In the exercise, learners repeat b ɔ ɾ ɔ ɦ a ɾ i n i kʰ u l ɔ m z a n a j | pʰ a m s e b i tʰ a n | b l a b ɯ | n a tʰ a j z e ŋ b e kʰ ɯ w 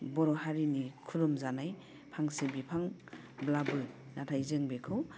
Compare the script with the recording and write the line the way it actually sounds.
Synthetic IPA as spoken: b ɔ ɾ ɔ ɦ a ɾ i n i kʰ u ɾ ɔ m z a n a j | pʰ a ŋ s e b i pʰ a ŋ | b l a b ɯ | n a tʰ a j z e ŋ b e kʰ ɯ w

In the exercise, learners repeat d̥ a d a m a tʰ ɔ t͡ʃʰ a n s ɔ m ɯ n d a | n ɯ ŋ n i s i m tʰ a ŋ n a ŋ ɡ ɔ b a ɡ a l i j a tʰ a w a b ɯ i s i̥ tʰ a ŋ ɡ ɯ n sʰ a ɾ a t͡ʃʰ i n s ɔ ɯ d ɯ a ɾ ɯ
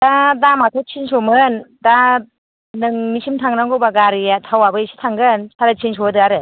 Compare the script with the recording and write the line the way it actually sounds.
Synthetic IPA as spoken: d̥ a d a m a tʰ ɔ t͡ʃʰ i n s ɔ m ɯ n d a | n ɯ ŋ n i s i m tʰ a ŋ n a ŋ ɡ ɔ b a ɡ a ɾ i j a tʰ a w a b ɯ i s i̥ tʰ a ŋ ɡ ɯ n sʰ a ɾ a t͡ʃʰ i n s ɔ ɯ d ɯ a ɾ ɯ

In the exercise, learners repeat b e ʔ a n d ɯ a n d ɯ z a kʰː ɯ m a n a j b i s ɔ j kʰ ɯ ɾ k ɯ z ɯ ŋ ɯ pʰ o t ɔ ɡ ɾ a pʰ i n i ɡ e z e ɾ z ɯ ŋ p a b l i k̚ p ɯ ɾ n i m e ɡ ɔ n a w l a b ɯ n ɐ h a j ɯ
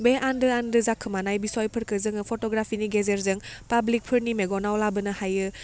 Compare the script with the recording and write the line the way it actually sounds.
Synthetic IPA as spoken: b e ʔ a n d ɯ a n d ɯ z a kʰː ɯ m a n a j b i s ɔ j pʰ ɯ ɾ k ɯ z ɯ ŋ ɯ pʰ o t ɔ ɡ ɾ a pʰ i n i ɡ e z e ɾ z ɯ ŋ p a b l i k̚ pʰ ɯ ɾ n i m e ɡ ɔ n a w l a b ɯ n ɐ h a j ɯ

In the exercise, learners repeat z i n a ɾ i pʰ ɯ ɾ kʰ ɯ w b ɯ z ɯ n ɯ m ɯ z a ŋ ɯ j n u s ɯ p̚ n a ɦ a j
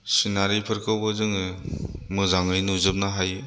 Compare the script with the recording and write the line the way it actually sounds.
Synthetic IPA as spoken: s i n a ɾ i pʰ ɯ ɾ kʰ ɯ w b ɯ z ɯ ŋ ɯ m ɯ z a ŋ ɯ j n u z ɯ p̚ n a ɦ a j

